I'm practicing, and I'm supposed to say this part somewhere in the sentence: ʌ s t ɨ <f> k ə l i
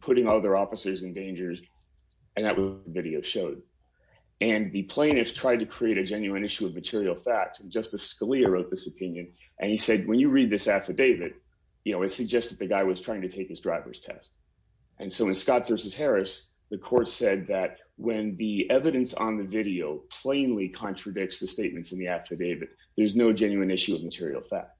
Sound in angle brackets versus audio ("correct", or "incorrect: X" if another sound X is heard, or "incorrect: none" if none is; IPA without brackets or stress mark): incorrect: s